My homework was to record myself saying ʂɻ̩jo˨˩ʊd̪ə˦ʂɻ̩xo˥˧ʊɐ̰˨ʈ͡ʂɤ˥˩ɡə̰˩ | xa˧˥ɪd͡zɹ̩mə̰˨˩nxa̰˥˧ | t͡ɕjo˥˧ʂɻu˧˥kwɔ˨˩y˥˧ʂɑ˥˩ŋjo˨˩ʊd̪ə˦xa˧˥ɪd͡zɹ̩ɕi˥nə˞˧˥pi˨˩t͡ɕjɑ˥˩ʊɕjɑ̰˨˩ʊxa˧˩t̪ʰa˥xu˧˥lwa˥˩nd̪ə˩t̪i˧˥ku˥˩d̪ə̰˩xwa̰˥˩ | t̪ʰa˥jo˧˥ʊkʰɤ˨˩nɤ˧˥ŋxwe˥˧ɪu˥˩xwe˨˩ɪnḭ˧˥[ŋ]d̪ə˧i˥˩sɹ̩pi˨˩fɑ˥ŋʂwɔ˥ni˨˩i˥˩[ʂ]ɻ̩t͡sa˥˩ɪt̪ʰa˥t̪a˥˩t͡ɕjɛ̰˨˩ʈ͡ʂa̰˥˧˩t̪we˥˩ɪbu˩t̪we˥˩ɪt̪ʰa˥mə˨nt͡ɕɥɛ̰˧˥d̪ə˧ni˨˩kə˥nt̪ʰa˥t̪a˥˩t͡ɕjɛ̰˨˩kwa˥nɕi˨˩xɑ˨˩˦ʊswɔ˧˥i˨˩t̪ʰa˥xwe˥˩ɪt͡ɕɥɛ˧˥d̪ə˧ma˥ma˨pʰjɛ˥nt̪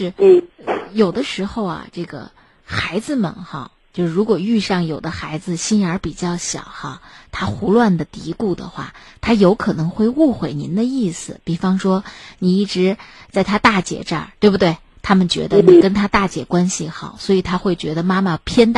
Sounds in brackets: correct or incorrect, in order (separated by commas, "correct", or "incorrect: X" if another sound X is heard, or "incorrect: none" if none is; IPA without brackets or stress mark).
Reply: incorrect: n, incorrect: ʈ͡ʂ